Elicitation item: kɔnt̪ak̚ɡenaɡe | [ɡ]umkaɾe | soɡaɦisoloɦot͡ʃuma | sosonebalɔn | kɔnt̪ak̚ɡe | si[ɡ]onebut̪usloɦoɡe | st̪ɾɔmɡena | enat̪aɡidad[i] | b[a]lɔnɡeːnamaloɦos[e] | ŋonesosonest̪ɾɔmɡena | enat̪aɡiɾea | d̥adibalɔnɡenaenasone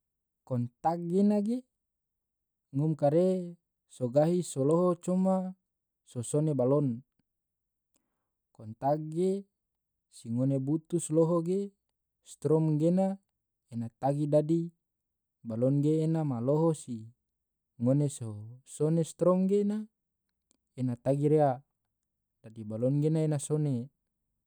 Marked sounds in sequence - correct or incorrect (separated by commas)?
incorrect, incorrect, correct, correct, incorrect